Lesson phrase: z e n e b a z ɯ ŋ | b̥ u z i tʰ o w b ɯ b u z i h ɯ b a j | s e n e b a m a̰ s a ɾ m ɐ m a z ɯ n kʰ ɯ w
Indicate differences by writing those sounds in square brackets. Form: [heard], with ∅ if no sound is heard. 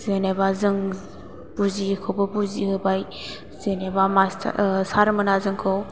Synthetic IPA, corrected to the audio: z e n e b a z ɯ ŋ | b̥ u z i [kʰ] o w b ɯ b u z i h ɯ b a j | [z] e n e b a m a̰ s a ɾ m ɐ [n] a z ɯ [ŋ] kʰ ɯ w

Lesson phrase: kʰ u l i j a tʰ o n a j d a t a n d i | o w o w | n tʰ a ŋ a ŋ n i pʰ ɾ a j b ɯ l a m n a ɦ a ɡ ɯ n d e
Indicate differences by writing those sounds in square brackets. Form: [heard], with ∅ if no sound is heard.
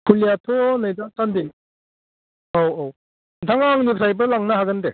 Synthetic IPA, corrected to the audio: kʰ u l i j a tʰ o n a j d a t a n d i | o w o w | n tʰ a ŋ a ŋ n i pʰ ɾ a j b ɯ l a [ŋ] n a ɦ a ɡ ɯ n d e

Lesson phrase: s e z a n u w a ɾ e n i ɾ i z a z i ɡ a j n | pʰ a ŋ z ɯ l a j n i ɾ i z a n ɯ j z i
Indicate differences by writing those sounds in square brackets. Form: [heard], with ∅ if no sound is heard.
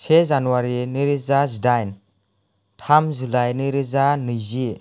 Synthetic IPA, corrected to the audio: s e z a n u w a ɾ [i] n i ɾ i z a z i [d] a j n | [tʰ] a [m] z [u] l a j n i ɾ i z a n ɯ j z i

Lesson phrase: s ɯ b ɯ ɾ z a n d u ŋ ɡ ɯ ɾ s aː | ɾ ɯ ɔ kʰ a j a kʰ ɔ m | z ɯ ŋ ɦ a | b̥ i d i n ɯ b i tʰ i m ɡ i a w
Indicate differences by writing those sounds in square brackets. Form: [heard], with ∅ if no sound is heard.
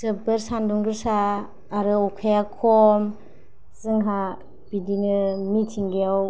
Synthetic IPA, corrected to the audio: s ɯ b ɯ ɾ [s] a n d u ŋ ɡ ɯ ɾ s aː | ɾ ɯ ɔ kʰ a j a kʰ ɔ m | z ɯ ŋ ɦ a | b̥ i d i n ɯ [m] i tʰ i [ŋ] ɡ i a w

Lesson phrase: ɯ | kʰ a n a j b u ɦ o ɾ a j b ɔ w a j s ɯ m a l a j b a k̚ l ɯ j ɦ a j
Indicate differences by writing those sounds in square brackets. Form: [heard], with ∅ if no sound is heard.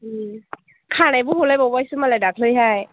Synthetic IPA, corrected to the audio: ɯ | kʰ a n a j b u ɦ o [l] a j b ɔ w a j s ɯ m a l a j [d] a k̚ l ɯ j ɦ a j

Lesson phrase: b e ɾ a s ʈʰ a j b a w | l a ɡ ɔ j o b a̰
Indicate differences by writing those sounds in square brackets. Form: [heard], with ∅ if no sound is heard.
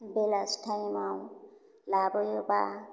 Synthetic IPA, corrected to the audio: b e [l] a s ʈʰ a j [m] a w | l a [b] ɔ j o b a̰

